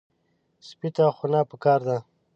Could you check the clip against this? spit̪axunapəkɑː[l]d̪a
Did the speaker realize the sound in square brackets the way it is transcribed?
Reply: no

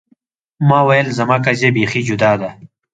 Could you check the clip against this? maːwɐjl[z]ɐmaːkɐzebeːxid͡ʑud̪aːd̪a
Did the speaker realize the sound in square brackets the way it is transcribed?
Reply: yes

